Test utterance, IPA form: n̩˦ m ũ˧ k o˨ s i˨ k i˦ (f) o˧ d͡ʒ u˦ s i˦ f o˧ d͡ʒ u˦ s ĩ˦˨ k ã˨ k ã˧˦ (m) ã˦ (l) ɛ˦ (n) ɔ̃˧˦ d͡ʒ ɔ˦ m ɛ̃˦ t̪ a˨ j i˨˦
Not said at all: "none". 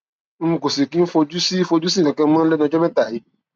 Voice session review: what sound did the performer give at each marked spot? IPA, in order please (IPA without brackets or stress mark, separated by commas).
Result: f, m, l, n